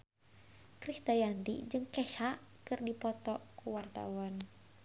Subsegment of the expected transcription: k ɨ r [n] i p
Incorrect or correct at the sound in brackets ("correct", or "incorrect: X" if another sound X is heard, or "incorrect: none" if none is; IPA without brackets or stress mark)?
incorrect: d